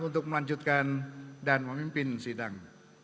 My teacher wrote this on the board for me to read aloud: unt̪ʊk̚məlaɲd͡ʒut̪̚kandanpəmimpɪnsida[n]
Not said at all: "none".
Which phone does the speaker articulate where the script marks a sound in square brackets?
ŋ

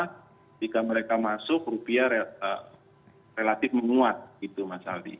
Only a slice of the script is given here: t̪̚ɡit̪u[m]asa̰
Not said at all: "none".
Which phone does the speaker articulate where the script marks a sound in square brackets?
m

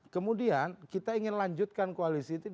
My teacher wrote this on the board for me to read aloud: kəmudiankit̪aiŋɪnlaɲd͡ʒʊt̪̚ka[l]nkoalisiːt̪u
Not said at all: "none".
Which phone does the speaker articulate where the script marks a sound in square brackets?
none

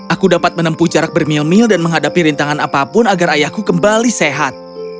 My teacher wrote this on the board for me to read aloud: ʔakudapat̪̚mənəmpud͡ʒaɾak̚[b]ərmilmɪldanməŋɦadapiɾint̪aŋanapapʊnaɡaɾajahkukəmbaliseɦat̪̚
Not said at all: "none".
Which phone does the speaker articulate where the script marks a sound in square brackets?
b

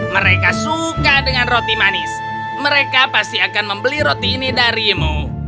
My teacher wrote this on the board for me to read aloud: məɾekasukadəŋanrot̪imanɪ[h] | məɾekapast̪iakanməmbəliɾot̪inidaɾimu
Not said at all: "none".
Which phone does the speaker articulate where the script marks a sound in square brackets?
s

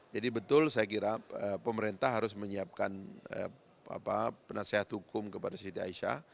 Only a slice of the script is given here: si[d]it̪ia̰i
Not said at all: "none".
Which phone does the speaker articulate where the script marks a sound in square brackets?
none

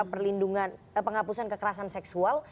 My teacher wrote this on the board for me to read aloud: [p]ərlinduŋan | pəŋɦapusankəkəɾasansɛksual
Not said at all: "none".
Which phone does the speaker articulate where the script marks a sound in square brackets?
p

